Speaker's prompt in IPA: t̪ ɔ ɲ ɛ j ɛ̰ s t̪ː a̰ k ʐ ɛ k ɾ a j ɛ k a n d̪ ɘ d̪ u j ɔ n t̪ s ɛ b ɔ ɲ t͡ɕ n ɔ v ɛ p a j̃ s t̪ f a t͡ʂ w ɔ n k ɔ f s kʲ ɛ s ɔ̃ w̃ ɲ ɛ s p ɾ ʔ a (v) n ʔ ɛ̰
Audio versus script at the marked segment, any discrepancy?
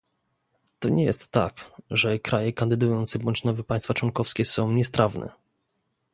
no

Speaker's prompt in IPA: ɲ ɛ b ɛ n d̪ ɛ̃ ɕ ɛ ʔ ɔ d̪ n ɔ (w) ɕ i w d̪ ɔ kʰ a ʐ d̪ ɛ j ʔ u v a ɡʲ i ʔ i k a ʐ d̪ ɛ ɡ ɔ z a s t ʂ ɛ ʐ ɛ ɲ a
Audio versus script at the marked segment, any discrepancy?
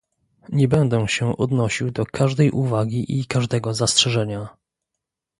yes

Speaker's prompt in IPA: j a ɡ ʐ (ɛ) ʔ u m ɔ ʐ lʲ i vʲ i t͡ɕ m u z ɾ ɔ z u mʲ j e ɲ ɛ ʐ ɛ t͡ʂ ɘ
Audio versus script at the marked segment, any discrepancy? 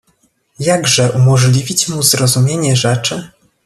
no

